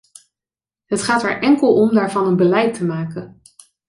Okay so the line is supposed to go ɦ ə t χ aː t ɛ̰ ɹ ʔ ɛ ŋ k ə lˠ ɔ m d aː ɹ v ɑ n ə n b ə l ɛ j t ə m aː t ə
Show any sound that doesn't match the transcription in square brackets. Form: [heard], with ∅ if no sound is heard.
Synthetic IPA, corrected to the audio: ɦ ə t χ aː t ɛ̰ ɹ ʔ ɛ ŋ k ə lˠ ɔ m d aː ɹ v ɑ n ə n b ə l ɛ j t ə m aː [k] ə